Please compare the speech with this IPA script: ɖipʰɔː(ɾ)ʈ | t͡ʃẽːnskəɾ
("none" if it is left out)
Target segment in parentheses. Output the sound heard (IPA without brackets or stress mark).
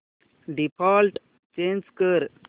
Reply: l